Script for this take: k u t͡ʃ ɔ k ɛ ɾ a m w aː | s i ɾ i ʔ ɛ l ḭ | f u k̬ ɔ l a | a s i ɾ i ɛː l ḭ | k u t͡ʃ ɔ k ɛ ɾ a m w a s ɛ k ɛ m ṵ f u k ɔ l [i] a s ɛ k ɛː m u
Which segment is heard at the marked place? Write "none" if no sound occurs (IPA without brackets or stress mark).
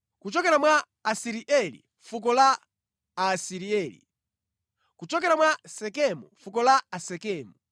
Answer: a